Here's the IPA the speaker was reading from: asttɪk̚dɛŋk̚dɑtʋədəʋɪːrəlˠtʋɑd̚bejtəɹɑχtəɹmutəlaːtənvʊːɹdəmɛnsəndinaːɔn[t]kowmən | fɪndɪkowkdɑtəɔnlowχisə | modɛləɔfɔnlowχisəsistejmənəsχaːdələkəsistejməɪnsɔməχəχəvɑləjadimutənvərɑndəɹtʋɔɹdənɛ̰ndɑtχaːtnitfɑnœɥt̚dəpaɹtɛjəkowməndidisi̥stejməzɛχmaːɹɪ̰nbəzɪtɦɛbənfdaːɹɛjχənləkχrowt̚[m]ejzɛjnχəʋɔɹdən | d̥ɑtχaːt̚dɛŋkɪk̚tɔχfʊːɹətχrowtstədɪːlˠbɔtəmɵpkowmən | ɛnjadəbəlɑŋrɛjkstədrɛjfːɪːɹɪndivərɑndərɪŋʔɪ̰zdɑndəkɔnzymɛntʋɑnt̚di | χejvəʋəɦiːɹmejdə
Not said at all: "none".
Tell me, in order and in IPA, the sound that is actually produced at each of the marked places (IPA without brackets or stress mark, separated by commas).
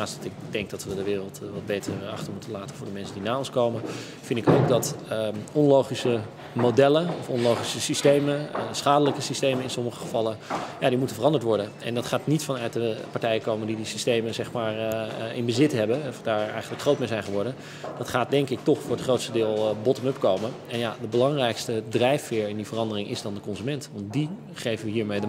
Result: s, m